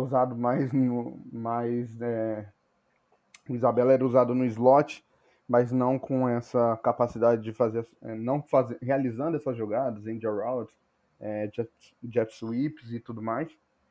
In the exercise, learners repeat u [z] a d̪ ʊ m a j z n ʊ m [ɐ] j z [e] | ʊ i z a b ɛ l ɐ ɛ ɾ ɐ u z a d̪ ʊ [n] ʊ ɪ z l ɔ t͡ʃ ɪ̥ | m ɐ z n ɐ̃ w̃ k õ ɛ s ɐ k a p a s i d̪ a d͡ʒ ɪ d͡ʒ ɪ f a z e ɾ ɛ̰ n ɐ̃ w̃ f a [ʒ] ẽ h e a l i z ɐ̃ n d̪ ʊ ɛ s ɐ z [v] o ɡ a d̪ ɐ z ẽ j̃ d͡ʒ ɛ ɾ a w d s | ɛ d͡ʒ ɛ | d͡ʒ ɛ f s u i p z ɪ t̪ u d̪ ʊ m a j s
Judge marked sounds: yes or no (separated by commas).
yes, no, no, yes, no, no